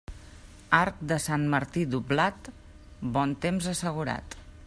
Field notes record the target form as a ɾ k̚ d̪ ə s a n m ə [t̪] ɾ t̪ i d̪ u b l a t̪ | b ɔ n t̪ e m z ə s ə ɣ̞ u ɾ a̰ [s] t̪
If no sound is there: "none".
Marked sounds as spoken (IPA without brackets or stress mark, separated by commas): none, none